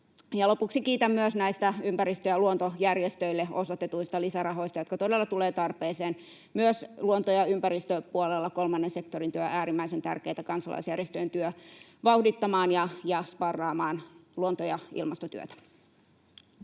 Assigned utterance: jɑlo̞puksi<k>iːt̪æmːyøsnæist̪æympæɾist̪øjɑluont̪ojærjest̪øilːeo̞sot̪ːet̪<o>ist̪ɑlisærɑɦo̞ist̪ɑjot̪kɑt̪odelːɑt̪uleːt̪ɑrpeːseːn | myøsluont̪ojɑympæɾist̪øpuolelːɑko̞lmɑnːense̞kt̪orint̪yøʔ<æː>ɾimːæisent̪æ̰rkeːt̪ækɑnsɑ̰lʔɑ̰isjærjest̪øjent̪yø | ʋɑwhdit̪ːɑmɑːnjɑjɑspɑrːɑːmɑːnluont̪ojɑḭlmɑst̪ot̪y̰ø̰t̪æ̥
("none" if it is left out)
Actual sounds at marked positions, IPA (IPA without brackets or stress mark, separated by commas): k, u, æː